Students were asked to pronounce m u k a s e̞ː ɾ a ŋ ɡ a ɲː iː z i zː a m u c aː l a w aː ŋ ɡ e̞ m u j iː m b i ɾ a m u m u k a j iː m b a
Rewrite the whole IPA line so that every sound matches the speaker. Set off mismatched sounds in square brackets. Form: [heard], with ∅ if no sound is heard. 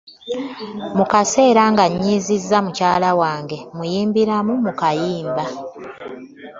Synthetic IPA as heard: m u k a s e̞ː ɾ a ŋ ɡ a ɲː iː z i zː a m u c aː l a w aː ŋ ɡ e̞ m u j iː m b i ɾ a m u m u k a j iː m b a